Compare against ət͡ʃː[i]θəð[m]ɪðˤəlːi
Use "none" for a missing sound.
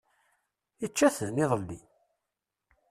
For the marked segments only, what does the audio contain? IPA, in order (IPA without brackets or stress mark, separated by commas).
æ, n